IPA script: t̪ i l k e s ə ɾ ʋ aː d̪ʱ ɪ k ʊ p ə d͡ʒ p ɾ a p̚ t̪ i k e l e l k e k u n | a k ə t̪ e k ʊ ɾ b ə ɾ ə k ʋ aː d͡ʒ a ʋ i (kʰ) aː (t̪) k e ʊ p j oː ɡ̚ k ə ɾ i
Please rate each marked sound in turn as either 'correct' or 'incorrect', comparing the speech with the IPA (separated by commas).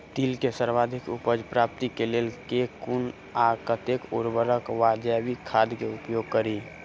correct, incorrect